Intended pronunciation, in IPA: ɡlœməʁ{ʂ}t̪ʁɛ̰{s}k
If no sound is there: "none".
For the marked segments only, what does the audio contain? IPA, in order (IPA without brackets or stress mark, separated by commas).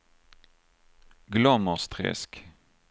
s, s